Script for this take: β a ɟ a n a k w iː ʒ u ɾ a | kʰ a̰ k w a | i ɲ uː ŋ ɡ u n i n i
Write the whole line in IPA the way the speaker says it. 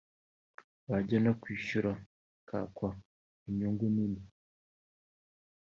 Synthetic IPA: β a ɟ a n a k w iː ʃ u ɾ a | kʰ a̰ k w a | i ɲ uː ŋ ɡ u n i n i